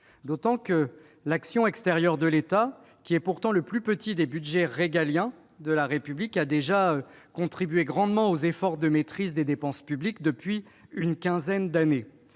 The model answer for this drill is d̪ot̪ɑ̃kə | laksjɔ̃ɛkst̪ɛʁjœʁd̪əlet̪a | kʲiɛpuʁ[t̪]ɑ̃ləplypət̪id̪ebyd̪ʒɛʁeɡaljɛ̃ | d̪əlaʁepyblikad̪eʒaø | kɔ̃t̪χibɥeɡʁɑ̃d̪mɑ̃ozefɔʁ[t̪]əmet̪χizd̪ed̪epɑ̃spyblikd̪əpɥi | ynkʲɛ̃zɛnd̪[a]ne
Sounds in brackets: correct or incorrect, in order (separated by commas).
correct, incorrect, correct